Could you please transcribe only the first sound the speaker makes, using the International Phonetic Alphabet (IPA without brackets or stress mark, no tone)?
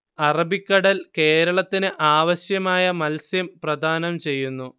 ɐ